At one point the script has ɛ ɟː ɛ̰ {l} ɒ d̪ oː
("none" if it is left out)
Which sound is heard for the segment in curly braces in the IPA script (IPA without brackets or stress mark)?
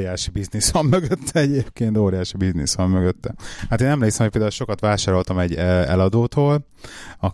l